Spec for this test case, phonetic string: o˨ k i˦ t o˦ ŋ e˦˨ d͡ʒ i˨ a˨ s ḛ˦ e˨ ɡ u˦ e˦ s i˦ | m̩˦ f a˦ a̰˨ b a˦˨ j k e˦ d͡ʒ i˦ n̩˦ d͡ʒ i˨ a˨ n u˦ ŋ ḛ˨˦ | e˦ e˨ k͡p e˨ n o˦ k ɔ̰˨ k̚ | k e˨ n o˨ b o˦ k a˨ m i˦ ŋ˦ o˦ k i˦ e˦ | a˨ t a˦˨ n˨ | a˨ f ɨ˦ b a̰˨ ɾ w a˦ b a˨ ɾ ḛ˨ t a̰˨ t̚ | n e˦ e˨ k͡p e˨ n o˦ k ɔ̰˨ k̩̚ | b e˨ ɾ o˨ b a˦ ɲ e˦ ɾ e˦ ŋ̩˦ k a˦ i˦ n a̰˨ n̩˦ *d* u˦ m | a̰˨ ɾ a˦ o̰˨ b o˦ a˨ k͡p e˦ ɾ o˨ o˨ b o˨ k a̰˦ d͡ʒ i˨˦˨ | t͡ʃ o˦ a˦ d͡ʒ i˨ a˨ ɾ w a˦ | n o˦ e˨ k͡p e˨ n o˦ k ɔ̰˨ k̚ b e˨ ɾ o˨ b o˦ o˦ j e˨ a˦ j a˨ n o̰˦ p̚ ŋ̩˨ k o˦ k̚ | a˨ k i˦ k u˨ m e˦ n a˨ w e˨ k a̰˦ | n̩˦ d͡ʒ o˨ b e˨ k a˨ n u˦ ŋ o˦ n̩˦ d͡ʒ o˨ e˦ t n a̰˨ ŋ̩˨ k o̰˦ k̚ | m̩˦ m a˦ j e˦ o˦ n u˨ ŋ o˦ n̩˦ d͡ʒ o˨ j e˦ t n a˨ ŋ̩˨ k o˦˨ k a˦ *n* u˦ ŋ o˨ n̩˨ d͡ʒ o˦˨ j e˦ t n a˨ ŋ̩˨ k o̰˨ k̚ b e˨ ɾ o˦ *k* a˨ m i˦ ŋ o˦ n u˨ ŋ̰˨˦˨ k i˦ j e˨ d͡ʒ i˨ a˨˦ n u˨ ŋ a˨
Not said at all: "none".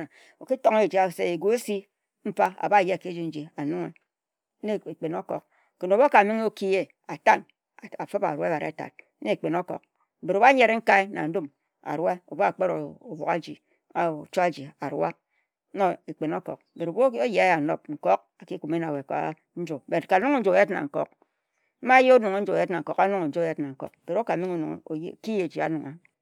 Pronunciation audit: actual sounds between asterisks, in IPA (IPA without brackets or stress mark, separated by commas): d, n, k